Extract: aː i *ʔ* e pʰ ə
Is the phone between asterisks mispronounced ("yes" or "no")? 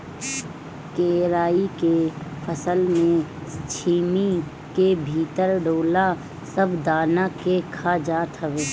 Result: yes